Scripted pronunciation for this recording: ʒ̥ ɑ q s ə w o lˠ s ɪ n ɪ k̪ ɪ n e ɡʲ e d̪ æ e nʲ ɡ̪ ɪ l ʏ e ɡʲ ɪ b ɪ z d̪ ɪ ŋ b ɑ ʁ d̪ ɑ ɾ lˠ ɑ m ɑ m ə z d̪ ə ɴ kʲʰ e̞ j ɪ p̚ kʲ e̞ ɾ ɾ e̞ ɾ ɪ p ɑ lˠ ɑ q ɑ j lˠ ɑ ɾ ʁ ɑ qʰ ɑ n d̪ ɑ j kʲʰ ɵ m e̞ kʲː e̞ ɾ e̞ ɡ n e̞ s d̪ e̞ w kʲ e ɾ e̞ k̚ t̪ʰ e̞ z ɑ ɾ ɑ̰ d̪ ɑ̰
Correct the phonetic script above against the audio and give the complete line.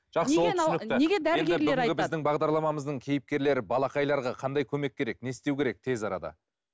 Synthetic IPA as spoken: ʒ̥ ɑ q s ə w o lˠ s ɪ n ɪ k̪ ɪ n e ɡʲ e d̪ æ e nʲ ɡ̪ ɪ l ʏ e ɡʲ ɪ b ɪ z d̪ ɪ ŋ b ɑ ʁ d̪ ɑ ɾ lˠ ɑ m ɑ m ə z d̪ ə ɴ kʲʰ e̞ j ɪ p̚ kʲ e̞ ɾ l e̞ ɾ ɪ b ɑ lˠ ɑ q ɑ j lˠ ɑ ɾ ʁ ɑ qʰ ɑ n d̪ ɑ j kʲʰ ɵ m e̞ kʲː e̞ ɾ e̞ k n e̞ s t̪ e̞ w kʲ e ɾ e̞ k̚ t̪ʰ e̞ z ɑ ɾ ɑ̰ d̪ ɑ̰